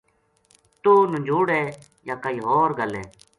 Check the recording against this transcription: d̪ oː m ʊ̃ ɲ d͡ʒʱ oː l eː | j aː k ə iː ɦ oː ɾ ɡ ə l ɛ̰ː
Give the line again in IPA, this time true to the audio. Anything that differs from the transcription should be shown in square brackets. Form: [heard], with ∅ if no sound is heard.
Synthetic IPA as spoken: [t̪] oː [n] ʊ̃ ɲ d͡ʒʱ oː [ɽ] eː | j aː k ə iː ɦ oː ɾ ɡ ə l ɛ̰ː